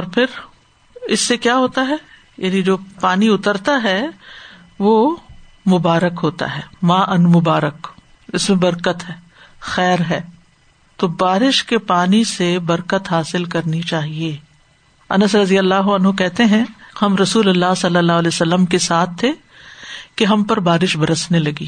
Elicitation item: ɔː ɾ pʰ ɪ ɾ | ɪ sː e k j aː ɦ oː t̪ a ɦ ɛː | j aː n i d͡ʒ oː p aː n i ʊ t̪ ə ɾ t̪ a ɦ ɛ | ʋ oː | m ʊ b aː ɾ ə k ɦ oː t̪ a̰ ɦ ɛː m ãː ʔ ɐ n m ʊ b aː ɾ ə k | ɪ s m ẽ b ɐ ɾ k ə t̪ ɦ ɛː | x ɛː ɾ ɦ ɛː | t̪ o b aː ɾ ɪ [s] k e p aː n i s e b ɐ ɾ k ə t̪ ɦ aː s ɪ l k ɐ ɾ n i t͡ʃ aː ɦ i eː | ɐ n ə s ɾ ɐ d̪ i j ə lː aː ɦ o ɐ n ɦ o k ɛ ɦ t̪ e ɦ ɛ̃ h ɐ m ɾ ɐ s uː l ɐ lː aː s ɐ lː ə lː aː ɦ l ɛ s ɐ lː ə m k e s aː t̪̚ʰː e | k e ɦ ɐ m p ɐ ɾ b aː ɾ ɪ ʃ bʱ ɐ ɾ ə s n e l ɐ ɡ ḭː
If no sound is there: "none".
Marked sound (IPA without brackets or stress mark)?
ʃ